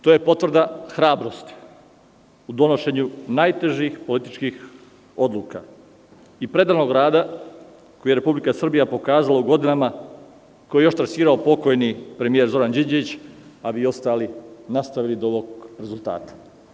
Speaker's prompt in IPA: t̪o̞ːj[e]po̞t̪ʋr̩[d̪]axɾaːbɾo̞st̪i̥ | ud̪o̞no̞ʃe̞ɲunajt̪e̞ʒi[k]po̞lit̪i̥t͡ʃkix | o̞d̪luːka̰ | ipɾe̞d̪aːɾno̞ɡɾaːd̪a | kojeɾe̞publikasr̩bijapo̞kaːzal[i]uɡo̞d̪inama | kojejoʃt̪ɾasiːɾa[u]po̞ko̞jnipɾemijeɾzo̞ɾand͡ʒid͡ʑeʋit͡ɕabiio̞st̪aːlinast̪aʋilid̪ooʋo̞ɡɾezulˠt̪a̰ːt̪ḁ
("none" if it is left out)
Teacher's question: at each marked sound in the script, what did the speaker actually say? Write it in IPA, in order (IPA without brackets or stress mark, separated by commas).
e, d̪, x, a, o